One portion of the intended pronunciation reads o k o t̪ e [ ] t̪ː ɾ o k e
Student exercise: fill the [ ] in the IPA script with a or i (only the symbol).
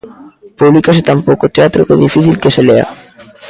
a